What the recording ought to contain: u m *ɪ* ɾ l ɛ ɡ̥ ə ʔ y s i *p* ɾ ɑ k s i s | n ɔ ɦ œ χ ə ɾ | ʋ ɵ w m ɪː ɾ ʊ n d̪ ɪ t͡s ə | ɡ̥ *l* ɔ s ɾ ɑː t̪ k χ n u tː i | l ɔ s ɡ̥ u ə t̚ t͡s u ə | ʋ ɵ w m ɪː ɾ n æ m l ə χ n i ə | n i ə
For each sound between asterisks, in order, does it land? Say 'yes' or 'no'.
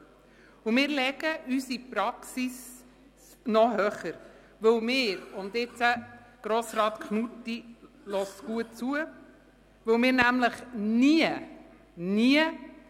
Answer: no, yes, no

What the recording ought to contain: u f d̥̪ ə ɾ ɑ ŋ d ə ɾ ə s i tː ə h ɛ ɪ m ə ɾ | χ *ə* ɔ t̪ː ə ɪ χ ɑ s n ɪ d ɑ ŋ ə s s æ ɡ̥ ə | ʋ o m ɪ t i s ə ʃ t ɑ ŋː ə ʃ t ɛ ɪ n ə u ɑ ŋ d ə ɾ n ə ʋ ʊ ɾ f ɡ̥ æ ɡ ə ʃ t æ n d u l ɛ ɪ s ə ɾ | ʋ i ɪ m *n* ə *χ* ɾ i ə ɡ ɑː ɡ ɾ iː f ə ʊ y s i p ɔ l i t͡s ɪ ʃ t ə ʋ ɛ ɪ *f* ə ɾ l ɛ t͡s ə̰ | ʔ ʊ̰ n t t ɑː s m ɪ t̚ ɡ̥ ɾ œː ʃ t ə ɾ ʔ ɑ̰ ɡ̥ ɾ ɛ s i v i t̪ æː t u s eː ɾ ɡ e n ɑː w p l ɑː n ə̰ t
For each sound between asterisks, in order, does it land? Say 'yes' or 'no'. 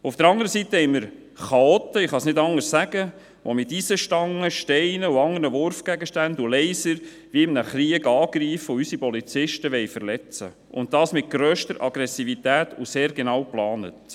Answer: no, yes, yes, yes

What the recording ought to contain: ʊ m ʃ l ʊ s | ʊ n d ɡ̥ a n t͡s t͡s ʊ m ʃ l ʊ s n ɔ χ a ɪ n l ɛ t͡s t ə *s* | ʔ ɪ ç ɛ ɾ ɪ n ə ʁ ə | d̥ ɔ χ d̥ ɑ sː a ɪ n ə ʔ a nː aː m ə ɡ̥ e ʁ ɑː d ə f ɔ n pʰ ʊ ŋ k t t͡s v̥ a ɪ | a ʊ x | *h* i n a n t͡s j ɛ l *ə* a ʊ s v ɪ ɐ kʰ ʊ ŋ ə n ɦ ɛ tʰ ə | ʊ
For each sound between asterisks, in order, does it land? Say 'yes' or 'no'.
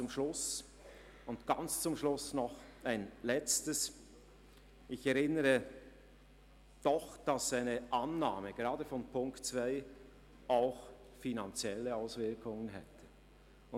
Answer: yes, no, yes

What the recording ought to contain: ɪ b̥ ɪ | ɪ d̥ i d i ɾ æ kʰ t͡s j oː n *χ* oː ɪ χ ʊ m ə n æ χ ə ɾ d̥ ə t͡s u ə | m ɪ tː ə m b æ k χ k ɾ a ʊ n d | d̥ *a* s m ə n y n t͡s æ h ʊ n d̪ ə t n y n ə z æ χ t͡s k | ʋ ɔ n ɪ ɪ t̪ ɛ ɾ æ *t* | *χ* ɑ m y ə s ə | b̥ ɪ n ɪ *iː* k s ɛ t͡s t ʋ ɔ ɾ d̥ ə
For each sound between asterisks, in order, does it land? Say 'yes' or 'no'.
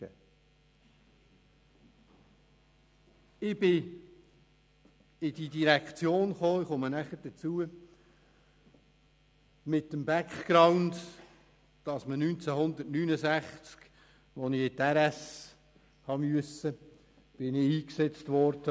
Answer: yes, no, no, no, yes

